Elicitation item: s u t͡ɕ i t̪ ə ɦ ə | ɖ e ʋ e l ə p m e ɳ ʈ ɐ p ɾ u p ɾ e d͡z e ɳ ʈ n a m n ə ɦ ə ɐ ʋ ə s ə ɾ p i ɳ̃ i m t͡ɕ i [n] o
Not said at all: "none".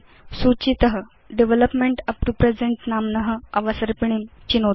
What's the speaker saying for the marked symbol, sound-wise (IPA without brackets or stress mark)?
n